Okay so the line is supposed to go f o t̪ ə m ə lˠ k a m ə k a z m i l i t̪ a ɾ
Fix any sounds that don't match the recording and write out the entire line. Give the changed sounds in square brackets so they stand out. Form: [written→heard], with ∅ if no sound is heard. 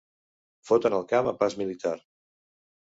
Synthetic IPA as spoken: f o t̪ ə [m→n] ə lˠ k a m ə [k→p] a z m i l i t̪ a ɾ